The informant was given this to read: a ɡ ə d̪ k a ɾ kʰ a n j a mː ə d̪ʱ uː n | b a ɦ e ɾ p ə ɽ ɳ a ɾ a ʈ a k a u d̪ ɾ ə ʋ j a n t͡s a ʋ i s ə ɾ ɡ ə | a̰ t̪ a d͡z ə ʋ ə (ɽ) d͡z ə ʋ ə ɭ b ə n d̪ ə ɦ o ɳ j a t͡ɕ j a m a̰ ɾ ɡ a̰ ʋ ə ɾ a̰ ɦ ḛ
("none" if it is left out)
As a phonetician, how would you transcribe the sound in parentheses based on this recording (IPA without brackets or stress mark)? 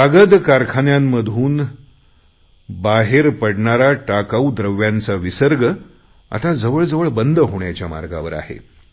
ɭ